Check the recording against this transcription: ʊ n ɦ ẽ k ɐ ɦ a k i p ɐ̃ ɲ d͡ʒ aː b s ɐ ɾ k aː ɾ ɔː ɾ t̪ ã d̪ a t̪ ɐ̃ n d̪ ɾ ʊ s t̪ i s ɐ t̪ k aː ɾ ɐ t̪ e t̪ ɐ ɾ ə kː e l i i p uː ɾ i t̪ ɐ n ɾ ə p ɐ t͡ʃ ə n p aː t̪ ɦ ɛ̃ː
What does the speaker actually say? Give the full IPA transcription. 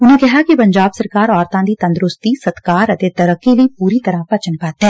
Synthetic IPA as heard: ʊ n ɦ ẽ k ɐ ɦ a k i p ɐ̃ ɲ d͡ʒ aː b s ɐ ɾ k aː ɾ ɔː ɾ t̪ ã d̪ i t̪ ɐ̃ n d̪ ɾ ʊ s t̪ i s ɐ t̪ k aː ɾ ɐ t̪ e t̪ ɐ ɾ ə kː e l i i p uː ɾ i t̪ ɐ ɾ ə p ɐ t͡ʃ ə n p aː t̪ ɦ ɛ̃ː